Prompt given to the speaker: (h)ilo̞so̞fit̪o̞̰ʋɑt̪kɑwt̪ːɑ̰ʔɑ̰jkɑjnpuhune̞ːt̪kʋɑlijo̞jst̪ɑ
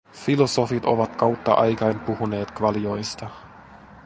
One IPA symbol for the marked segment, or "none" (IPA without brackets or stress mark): f